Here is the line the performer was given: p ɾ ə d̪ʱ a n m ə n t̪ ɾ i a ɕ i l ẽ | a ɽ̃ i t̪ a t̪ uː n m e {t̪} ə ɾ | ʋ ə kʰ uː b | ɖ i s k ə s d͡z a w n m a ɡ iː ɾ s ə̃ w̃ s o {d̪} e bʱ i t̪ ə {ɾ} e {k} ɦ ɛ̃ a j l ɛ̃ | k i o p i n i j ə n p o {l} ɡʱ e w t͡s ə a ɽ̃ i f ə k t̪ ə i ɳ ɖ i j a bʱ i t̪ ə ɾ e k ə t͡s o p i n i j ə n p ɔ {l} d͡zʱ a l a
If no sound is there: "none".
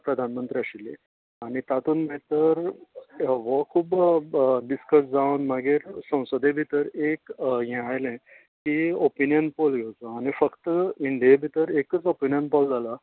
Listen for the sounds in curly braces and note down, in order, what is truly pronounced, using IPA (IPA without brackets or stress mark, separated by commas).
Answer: t̪, d̪, ɾ, k, l, l